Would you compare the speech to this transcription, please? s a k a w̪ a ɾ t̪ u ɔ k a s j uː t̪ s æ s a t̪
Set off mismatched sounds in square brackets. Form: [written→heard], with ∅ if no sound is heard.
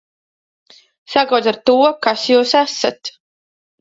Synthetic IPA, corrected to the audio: s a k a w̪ a ɾ t̪ u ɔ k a s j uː [t̪→∅] s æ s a t̪

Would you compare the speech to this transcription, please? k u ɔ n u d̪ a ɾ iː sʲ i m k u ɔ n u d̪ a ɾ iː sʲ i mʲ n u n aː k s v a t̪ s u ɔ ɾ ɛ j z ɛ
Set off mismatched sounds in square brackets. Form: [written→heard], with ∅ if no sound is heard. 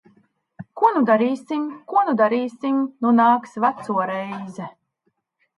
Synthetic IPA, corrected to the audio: k u ɔ n u d̪ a ɾ iː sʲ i m k u ɔ n u d̪ a ɾ iː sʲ i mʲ n u n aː k s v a t̪ s u ɔ ɾ ɛ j z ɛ

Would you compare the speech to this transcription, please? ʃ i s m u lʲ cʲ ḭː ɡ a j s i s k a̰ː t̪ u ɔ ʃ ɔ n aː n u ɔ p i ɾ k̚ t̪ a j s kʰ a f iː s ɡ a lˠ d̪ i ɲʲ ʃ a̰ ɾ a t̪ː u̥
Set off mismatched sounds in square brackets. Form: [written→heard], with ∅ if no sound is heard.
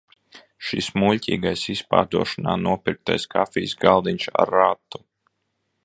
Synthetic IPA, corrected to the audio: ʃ i s m u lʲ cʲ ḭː ɡ a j s i s [k→p] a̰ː [t̪→d̪] u ɔ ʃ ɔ n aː n u ɔ p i ɾ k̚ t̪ a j s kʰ a f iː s ɡ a lˠ d̪ i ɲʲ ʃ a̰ ɾ a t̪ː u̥

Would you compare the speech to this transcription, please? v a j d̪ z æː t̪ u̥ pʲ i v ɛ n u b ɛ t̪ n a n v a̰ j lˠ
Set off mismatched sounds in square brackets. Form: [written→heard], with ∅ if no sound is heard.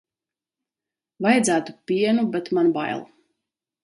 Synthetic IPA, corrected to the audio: v a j d̪ z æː t̪ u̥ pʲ i [v→∅] ɛ n u b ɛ t̪ [n→m] a n [v→b] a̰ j lˠ

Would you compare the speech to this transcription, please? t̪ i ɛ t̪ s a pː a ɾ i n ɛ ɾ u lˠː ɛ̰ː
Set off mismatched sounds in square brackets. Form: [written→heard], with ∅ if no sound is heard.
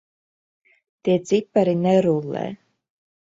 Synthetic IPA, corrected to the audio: t̪ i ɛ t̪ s [a→i] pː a ɾ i n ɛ ɾ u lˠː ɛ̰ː

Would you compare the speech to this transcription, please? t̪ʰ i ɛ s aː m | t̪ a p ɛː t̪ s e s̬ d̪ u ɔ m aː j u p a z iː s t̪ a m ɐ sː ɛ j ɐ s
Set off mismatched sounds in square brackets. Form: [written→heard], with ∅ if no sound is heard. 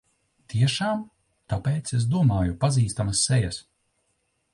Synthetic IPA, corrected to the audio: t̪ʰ i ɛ [s→ʃ] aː m | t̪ a p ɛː t̪ s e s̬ d̪ u ɔ m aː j u p a z iː s t̪ a m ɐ sː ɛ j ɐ s

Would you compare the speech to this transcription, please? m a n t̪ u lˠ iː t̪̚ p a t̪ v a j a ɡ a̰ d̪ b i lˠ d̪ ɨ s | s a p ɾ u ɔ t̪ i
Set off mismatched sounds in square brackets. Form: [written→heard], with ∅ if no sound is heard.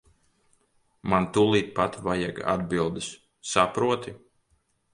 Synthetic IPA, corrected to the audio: m a n t̪ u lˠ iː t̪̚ p a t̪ v a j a ɡ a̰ d̪ b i lˠ d̪ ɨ s | s a p ɾ u ɔ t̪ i

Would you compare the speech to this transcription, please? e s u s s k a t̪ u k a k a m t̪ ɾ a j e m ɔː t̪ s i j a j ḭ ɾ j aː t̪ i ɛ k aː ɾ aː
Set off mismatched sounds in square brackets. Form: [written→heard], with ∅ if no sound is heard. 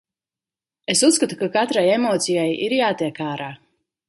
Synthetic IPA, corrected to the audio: e s u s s k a t̪ u k a k a [m→∅] t̪ ɾ a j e m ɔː t̪ s i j a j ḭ ɾ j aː t̪ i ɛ k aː ɾ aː

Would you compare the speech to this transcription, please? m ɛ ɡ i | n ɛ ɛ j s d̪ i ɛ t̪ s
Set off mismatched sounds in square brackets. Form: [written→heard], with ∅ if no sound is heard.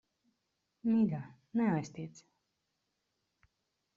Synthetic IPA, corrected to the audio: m [ɛ→i] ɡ [i→a] | n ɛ [ɛ→a] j s [d̪→t̪] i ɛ t̪ s

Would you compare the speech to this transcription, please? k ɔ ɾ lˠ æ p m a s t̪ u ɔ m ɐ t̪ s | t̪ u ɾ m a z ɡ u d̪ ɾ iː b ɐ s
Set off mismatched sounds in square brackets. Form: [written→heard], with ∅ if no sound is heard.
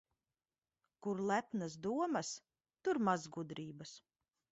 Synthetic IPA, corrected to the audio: k [ɔ→u] ɾ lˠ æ p [m→n] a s [t̪→d̪] u ɔ m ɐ [t̪→∅] s | t̪ u ɾ m a z ɡ u d̪ ɾ iː b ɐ s

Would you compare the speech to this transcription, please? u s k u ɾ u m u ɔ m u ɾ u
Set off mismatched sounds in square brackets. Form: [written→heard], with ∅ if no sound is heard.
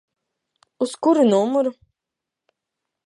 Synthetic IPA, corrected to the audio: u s k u ɾ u [m→n] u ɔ m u ɾ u

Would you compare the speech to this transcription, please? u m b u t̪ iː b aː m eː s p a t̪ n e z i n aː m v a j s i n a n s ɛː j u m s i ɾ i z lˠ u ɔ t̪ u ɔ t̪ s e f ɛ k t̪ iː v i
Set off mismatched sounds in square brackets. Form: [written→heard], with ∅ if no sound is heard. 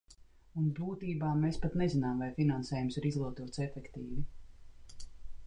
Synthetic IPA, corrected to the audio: u [m→n] b [u→uː] t̪ iː b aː m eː s p a t̪ n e z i n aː m v a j [s→f] i n a n s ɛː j u m s i ɾ i z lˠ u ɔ t̪ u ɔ t̪ s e f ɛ k t̪ iː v i

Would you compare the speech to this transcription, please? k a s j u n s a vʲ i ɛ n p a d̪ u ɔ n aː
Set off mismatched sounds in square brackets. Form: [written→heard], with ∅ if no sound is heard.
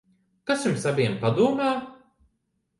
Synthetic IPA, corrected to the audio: k a s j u [n→m] s a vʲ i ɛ [n→m] p a d̪ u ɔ [n→m] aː

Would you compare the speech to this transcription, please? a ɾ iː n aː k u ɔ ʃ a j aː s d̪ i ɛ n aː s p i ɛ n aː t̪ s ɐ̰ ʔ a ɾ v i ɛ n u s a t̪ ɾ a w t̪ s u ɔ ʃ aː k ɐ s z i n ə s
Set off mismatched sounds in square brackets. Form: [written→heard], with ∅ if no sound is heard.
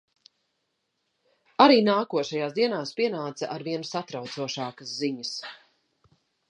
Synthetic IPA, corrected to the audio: a ɾ iː n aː k u ɔ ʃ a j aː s d̪ i ɛ n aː s p i ɛ n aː t̪ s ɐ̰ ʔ a ɾ v i ɛ n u s a t̪ ɾ a w t̪ s u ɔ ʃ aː k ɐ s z i [n→ɲ] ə s

